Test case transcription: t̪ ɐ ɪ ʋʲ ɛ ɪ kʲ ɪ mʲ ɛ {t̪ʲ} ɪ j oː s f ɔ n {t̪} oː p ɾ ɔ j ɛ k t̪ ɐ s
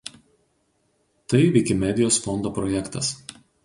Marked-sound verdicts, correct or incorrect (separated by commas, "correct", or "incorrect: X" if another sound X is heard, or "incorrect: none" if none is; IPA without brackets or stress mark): incorrect: d̪ʲ, incorrect: d̪